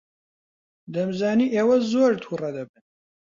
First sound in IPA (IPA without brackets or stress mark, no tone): d̪